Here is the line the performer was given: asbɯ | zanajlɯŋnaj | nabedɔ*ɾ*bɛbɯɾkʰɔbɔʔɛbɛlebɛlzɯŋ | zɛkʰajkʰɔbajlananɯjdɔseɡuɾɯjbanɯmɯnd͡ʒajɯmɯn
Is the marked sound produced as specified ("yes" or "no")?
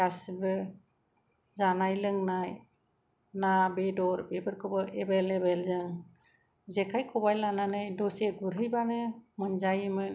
yes